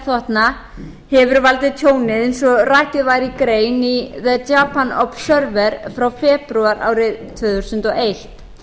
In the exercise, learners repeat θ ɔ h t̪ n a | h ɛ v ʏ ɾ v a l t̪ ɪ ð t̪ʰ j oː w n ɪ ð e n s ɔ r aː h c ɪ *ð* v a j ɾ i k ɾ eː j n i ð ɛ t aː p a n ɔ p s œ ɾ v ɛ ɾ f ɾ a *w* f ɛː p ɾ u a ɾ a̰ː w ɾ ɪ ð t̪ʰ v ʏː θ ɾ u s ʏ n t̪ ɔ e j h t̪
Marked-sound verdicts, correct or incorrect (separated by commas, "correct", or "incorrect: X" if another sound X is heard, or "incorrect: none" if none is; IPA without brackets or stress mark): correct, correct